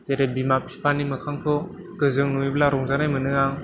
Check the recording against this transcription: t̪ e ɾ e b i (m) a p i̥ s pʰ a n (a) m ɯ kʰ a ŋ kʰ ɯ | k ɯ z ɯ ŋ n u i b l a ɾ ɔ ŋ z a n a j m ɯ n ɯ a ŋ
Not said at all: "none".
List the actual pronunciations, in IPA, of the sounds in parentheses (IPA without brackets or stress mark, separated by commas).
m, i